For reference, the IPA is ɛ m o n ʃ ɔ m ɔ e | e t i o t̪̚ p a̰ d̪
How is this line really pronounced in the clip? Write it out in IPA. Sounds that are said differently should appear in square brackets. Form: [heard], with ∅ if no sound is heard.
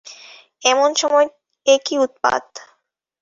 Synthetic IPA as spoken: ɛ m o n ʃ ɔ m ɔ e | e [k] i [u] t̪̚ p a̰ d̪